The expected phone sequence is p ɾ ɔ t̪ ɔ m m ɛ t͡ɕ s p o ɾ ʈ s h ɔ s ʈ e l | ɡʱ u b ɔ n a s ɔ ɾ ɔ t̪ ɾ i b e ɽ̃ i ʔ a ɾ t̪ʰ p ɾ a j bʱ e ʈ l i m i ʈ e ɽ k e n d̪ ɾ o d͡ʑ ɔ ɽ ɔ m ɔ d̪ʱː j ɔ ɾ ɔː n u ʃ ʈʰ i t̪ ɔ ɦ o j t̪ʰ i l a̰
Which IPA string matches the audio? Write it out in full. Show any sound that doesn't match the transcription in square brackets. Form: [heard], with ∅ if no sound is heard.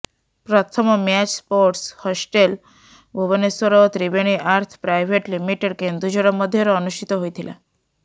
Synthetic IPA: p ɾ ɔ [t̪ʰ] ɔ m m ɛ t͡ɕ s p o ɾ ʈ s h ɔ s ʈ e l | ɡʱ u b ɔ n [e] s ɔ ɾ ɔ t̪ ɾ i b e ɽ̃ i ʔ a ɾ t̪ʰ p ɾ a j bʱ e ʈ l i m i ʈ e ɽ k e n d̪ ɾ [u] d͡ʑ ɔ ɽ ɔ m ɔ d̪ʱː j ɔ ɾ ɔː n u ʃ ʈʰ i t̪ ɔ ɦ o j t̪ʰ i l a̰